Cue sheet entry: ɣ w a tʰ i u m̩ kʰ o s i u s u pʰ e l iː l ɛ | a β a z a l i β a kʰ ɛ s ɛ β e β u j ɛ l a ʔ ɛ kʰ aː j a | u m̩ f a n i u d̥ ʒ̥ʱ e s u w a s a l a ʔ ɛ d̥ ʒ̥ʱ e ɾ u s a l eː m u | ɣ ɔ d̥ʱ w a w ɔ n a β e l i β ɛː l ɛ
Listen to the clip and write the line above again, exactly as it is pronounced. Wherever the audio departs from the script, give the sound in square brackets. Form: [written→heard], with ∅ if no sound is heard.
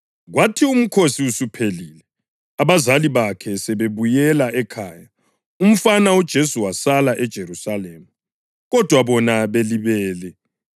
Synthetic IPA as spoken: ɣ w a tʰ i u m̩ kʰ o s i u s u pʰ e l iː l ɛ | a β a z a l i β a kʰ ɛ s ɛ β e β u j ɛ l a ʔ ɛ kʰ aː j a | u m̩ f a n [i→a] u d̥ ʒ̥ʱ e s u w a s a l a ʔ ɛ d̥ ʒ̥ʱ e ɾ u s a l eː m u | ɣ ɔ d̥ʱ w a [w→β] ɔ n a β e l i β ɛː l ɛ